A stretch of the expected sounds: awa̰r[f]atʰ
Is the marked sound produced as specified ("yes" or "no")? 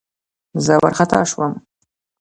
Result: no